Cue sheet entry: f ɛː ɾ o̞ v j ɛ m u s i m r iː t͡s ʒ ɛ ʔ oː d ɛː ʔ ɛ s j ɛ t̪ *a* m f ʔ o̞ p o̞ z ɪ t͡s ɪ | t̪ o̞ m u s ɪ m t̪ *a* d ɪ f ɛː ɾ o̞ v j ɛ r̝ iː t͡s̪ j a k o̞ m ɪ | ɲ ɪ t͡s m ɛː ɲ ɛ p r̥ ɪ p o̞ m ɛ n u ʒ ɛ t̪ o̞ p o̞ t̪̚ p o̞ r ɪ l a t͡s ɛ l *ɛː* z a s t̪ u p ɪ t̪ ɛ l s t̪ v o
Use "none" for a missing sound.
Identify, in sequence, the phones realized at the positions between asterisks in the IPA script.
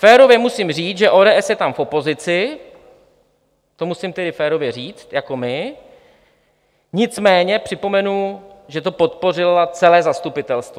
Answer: a, ɛ, ɛː

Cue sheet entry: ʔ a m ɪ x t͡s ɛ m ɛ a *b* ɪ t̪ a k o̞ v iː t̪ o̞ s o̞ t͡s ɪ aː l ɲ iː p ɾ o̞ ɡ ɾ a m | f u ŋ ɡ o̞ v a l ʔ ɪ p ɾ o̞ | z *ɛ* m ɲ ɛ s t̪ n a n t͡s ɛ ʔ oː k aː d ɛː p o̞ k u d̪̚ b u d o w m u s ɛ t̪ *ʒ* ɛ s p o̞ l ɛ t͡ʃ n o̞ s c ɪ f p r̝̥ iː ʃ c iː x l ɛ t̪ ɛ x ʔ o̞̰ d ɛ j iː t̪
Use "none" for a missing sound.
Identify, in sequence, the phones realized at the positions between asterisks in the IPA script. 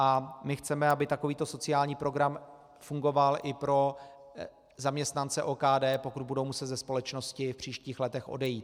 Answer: b, a, z

